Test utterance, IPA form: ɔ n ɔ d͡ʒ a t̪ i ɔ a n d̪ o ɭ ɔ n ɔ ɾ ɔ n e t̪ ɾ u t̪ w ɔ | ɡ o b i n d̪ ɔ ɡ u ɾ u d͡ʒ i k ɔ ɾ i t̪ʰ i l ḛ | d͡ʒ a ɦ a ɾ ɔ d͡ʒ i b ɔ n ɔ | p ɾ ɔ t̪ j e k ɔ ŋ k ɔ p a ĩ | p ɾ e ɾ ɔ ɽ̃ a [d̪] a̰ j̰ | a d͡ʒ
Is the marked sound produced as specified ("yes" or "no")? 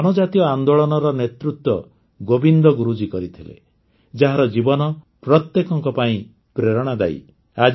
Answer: yes